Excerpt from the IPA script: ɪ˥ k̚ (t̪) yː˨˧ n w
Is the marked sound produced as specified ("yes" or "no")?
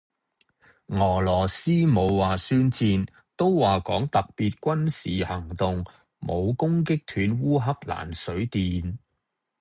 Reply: no